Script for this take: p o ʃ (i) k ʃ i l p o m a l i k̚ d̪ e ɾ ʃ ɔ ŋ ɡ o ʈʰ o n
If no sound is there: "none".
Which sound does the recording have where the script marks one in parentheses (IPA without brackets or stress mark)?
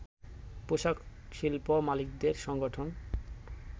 a